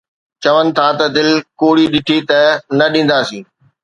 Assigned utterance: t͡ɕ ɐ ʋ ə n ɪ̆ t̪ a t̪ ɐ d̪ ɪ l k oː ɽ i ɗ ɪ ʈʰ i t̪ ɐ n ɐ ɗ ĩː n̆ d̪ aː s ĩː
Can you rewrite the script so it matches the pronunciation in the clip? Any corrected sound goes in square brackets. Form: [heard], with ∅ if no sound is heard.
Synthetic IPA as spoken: t͡ɕ ɐ ʋ ə n ɪ̆ [t̪ʰ] a t̪ ɐ d̪ ɪ l k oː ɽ i ɗ ɪ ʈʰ i t̪ ɐ n ɐ ɗ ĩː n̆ d̪ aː s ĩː